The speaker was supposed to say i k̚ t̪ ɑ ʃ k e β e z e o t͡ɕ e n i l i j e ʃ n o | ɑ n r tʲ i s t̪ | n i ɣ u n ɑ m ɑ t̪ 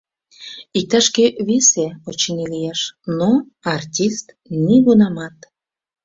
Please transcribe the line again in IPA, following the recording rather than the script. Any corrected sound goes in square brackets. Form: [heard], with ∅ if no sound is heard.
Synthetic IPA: i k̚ t̪ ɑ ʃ k e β e [s] e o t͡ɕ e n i l i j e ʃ n o | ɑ [∅] r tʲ i s t̪ | n i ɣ u n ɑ m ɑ t̪